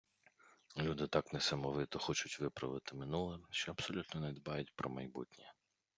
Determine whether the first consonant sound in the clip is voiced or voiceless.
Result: voiced